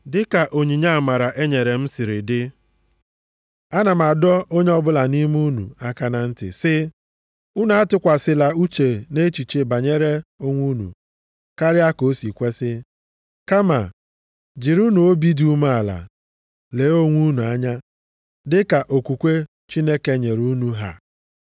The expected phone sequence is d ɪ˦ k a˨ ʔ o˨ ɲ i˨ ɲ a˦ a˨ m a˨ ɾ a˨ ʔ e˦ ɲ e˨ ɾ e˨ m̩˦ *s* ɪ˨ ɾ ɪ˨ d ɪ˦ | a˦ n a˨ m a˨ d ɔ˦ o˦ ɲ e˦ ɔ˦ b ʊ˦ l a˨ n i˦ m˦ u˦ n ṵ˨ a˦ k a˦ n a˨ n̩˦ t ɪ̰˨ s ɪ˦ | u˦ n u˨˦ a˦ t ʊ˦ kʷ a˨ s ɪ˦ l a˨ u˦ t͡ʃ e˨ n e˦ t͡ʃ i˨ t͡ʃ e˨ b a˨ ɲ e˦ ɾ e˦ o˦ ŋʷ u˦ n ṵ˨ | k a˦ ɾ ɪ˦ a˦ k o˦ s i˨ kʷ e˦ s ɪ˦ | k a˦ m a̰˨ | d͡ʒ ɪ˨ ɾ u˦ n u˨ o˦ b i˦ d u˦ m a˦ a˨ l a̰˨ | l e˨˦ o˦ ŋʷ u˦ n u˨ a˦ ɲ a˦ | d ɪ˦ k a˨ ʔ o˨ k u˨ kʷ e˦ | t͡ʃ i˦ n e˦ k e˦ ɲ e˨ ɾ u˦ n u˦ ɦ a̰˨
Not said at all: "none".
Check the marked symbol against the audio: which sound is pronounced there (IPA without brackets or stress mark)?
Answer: s